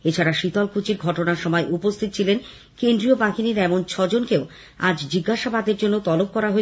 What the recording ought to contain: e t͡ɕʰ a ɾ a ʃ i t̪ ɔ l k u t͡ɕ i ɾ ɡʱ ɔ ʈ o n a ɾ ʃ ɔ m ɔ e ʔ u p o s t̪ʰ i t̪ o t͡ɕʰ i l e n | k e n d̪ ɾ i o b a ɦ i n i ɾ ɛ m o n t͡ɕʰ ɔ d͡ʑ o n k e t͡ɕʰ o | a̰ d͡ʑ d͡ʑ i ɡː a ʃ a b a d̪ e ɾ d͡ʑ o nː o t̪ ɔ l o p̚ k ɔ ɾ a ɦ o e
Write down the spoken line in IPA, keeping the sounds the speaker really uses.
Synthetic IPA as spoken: e t͡ɕʰ a ɾ a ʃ i t̪ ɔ l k u t͡ɕ i ɾ ɡʱ ɔ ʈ o n a ɾ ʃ ɔ m ɔ e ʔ u p o s t̪ʰ i t̪ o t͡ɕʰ i l e n | k e n d̪ ɾ i o b a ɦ i n i ɾ ɛ m o n t͡ɕʰ ɔ d͡ʑ o n k e o | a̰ d͡ʑ d͡ʑ i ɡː a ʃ a b a d̪ e ɾ d͡ʑ o nː o t̪ ɔ l o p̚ k ɔ ɾ a ɦ o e